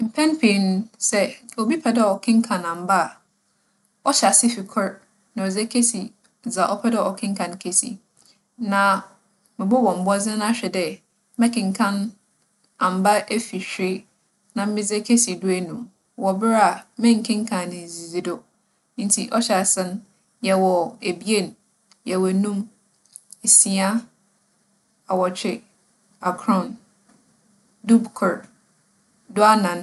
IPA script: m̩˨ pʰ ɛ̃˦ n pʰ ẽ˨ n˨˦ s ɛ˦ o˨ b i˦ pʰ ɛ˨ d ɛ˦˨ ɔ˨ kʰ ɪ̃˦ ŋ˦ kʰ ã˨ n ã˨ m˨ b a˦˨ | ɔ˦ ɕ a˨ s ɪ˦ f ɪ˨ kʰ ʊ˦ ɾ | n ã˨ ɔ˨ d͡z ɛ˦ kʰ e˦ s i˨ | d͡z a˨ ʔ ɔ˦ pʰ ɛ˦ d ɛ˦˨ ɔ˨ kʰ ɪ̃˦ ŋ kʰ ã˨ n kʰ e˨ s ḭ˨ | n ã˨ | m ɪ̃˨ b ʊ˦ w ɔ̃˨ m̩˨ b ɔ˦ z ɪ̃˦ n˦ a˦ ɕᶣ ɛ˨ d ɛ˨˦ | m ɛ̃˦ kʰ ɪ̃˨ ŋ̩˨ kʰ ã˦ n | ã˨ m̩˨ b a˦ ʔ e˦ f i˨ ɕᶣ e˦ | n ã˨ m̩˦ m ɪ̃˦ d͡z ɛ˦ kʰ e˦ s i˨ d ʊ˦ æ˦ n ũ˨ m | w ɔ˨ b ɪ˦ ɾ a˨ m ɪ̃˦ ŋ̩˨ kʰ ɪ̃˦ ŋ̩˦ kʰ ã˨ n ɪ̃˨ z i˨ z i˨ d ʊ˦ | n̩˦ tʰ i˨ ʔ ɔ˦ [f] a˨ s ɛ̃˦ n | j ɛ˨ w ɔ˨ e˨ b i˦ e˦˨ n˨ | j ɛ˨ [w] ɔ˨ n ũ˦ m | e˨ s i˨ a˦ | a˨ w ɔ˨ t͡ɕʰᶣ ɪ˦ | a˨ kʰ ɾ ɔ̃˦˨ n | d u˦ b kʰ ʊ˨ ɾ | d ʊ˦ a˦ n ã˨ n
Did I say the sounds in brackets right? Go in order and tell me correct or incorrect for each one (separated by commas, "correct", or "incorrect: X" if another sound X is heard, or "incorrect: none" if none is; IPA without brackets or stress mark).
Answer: incorrect: ɕ, correct